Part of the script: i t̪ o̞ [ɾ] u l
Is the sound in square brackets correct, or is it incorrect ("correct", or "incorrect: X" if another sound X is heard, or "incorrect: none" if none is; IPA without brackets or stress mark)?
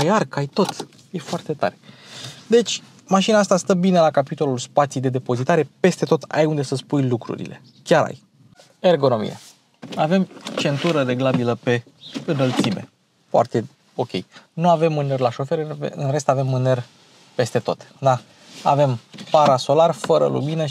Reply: incorrect: l